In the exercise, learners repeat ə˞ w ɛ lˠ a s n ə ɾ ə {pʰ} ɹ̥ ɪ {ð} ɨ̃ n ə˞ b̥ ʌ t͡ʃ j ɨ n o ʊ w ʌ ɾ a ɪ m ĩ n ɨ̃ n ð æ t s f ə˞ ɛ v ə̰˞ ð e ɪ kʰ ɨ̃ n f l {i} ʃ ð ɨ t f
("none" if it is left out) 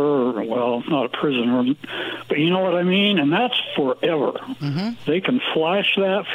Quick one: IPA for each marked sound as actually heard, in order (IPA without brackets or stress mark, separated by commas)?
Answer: pʰ, z, æ